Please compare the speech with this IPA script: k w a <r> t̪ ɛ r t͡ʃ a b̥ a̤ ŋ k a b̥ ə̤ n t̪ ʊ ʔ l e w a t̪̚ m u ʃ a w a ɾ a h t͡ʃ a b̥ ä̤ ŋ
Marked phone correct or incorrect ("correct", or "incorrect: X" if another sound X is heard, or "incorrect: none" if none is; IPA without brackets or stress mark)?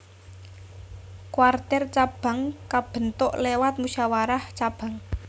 correct